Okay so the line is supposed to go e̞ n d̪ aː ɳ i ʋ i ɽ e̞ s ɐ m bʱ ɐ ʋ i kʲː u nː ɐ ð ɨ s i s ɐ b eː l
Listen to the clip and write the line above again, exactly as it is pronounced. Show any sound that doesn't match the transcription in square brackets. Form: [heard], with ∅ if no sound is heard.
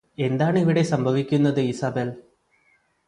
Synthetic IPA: e̞ n d̪ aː ɳ i ʋ i ɽ e̞ s ɐ m bʱ ɐ ʋ i kʲː u nː ɐ ð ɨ [∅] i s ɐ b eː l